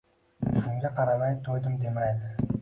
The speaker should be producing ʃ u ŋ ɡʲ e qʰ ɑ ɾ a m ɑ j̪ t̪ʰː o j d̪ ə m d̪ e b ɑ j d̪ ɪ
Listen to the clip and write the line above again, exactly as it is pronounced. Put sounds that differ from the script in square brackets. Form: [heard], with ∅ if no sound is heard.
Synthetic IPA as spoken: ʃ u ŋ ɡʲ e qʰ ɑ ɾ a m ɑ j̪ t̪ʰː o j d̪ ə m d̪ e [m] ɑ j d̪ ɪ

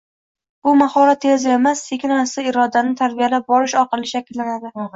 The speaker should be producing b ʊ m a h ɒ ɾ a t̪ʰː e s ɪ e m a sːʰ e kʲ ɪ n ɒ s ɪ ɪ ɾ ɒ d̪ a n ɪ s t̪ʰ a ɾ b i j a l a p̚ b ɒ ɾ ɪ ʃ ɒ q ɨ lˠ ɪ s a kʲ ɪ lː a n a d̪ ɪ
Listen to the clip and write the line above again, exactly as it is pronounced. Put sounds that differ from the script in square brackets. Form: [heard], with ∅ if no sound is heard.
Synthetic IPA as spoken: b ʊ m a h ɒ ɾ a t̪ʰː e [z] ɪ e m a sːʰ e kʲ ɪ n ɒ s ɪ ɪ ɾ ɒ d̪ a n ɪ [∅] t̪ʰ a ɾ b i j a l a p̚ b ɒ ɾ ɪ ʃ ɒ q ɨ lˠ ɪ [ʃ] a kʲ ɪ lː a n a d̪ ɪ

